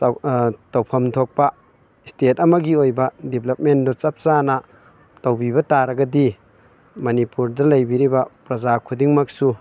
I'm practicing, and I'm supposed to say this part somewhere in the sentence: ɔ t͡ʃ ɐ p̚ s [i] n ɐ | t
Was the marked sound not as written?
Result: yes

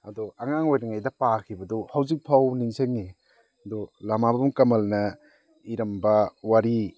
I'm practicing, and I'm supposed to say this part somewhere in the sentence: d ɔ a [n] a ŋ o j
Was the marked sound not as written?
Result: yes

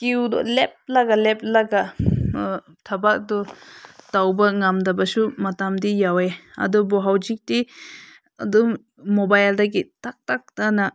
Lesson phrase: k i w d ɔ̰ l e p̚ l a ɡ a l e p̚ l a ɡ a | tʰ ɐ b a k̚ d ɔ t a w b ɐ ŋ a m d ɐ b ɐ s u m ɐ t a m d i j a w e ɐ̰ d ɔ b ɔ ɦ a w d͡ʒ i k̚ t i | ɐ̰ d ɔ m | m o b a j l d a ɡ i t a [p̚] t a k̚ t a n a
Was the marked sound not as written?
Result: yes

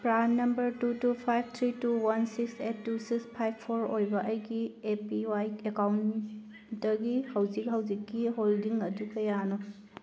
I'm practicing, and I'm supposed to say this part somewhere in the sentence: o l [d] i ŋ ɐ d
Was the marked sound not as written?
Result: no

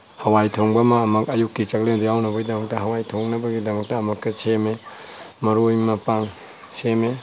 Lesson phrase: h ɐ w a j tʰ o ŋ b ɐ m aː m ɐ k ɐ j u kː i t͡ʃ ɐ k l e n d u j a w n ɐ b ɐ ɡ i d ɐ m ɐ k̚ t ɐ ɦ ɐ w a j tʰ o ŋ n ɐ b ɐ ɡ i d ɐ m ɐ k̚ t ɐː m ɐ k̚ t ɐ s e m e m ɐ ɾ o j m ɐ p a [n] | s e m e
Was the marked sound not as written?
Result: yes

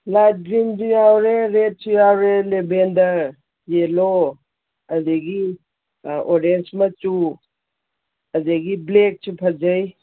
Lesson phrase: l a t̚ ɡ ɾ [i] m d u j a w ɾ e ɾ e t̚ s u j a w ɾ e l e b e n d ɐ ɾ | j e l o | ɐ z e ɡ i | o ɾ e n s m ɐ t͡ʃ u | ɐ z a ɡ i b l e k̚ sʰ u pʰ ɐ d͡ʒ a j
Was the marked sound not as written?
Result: no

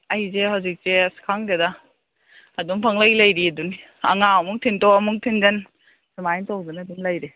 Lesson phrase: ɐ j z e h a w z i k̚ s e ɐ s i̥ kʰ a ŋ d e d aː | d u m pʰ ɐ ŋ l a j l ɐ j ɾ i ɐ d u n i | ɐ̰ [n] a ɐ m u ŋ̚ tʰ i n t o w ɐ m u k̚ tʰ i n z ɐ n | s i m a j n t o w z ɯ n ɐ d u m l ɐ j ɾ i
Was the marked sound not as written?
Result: yes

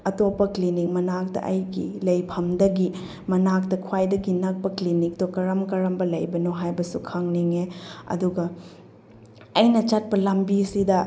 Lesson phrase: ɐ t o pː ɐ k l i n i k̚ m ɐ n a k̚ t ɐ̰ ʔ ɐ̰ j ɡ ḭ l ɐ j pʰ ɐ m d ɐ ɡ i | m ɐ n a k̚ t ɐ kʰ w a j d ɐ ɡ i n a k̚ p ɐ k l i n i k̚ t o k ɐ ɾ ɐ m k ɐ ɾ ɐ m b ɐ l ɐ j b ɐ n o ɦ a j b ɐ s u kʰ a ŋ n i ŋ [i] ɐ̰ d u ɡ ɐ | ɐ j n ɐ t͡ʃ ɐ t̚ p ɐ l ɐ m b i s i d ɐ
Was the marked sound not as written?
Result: yes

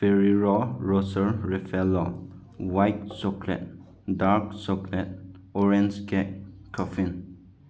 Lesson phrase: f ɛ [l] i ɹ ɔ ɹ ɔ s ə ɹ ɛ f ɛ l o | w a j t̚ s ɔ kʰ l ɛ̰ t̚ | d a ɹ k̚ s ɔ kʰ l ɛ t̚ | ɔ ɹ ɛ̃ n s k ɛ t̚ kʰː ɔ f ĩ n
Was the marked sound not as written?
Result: yes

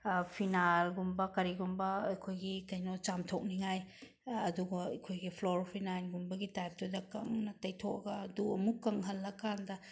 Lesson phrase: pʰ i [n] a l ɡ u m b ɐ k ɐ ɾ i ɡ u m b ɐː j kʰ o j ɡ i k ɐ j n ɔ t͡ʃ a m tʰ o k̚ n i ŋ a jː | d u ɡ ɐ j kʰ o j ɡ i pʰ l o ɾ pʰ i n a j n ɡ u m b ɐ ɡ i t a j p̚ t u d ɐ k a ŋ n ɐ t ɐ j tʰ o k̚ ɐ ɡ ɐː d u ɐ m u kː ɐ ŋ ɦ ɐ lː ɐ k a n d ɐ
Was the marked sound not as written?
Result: no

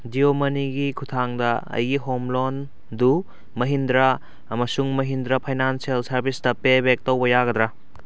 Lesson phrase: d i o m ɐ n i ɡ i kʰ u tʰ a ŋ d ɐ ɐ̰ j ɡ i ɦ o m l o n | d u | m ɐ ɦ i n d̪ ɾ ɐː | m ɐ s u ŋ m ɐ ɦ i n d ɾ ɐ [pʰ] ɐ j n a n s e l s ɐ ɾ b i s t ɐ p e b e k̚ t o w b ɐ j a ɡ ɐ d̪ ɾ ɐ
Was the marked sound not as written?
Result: no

